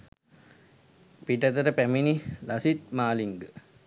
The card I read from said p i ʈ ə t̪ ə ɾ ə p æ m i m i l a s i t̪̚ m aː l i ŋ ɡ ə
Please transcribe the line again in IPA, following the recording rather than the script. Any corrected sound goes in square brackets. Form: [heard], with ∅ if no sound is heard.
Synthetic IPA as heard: p i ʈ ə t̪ ə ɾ ə p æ m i [n] i l a s i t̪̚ m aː l i ŋ ɡ ə